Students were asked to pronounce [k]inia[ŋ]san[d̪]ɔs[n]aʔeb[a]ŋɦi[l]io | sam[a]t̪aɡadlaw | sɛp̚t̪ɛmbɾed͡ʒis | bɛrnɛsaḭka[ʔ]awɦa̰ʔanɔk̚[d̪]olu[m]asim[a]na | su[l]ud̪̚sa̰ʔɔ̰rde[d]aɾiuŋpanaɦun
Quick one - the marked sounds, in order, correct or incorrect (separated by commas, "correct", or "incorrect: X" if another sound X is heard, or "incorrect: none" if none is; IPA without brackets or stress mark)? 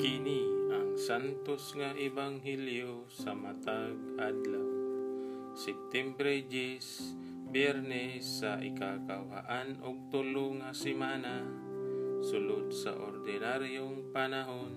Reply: correct, correct, incorrect: t̪, incorrect: ŋ, correct, correct, correct, incorrect: k, incorrect: t̪, incorrect: ŋ, correct, correct, incorrect: n